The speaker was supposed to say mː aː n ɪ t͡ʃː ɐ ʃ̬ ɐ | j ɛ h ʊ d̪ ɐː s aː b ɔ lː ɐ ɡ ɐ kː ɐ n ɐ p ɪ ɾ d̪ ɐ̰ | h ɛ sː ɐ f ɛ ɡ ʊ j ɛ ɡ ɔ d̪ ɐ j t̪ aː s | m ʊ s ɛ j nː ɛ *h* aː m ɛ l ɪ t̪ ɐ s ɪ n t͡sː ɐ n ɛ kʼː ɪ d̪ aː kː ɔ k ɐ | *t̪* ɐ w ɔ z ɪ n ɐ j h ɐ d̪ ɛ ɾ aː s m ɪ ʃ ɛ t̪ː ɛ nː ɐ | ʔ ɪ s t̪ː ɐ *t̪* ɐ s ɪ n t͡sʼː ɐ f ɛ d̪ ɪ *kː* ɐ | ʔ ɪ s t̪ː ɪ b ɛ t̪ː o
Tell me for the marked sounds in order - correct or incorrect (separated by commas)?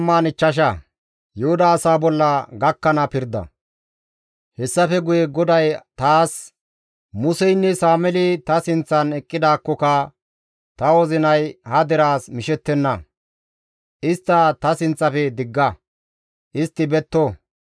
incorrect, correct, correct, incorrect